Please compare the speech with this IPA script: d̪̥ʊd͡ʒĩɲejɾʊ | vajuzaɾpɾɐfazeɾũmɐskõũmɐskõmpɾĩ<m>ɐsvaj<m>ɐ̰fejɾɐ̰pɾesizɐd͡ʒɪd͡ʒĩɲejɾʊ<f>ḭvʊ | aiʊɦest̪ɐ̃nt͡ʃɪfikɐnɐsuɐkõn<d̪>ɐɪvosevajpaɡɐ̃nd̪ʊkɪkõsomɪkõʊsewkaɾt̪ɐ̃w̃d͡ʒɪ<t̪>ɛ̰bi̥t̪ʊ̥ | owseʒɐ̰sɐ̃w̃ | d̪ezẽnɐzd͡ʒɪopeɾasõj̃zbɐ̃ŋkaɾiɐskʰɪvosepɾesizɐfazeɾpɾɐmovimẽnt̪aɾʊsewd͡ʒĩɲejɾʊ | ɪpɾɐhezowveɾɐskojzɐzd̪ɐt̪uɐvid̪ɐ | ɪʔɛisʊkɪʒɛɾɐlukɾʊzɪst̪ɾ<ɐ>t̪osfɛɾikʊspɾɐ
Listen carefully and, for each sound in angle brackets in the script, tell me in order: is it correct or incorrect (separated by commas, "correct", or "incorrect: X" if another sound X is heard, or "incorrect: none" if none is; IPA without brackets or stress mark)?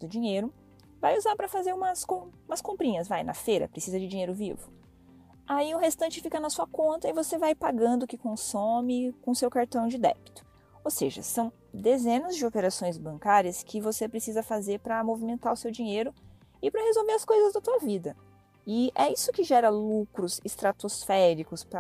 incorrect: ɲ, incorrect: n, incorrect: v, incorrect: t̪, incorrect: d̪, incorrect: a